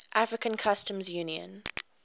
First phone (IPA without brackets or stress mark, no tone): ʔ